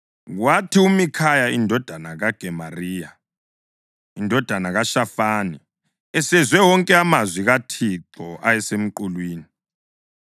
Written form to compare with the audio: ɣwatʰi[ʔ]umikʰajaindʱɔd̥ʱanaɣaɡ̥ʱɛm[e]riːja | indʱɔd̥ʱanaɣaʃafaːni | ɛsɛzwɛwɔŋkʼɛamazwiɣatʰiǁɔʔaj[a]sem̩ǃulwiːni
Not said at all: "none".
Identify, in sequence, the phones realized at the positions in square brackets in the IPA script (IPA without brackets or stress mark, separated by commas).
none, a, ɛ